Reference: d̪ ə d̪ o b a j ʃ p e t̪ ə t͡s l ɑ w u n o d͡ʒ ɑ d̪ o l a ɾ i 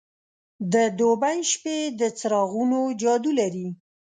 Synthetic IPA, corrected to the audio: d̪ ə d̪ o b a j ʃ p e d̪ ə t͡s ɾ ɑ ɣ u n o d͡ʒ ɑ d̪ u l a ɾ i